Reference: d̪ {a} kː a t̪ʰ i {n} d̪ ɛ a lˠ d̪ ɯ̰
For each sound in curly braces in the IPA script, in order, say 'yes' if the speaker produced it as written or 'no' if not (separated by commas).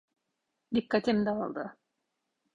no, no